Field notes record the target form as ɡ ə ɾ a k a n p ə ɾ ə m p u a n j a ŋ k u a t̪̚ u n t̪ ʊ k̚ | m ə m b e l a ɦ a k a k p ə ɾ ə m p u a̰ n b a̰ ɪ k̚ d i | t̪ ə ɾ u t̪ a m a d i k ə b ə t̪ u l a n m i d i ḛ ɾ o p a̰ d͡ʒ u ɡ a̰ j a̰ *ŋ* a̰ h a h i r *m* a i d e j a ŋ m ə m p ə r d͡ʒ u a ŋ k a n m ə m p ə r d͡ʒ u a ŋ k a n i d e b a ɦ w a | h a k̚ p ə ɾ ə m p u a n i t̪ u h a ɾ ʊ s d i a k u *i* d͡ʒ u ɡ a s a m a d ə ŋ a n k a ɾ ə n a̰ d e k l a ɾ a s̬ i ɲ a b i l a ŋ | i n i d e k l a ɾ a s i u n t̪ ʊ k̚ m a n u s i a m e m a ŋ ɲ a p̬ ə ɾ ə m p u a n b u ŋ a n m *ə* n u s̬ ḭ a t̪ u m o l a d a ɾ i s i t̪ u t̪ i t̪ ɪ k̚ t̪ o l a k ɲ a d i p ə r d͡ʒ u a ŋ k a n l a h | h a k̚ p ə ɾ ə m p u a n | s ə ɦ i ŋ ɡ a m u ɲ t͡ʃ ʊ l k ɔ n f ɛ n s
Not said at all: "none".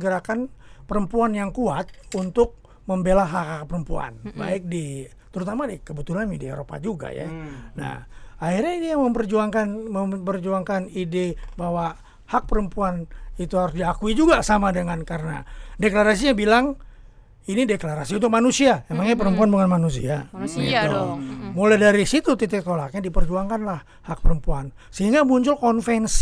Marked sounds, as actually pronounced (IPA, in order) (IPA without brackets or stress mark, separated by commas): n, ɲ, i, a